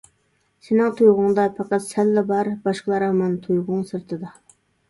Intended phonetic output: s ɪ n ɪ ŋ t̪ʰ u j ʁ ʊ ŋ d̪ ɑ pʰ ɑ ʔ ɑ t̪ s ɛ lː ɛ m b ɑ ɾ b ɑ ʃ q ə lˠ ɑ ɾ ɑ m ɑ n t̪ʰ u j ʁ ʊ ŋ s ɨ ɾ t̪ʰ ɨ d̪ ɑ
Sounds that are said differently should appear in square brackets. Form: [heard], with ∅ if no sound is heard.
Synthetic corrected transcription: s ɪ n ɪ ŋ t̪ʰ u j ʁ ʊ ŋ d̪ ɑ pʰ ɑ [q] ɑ t̪ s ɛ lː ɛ [∅] b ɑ ɾ b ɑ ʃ q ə lˠ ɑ ɾ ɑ m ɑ n t̪ʰ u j ʁ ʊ ŋ s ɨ ɾ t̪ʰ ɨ d̪ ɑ